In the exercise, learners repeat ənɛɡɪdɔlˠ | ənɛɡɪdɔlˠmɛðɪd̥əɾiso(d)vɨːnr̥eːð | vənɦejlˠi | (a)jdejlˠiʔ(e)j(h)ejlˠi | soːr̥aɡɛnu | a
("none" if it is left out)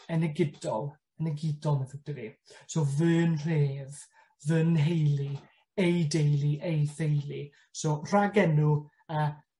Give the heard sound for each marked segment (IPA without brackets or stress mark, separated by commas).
none, e, e, θ